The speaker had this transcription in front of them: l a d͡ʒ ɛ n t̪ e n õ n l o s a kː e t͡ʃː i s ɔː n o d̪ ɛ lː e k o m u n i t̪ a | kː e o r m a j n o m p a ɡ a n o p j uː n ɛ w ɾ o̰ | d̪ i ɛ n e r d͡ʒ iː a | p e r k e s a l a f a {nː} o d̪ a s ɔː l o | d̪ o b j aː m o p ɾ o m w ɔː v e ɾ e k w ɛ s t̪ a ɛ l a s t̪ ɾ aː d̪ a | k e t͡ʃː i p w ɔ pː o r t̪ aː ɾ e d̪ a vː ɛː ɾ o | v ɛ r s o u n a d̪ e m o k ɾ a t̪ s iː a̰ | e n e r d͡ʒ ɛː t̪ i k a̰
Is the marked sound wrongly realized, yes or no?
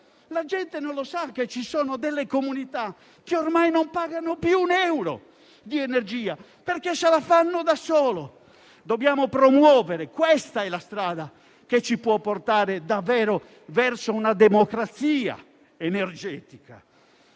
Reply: no